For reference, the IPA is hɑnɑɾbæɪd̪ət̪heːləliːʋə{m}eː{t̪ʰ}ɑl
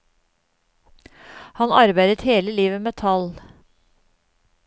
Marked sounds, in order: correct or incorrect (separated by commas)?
correct, correct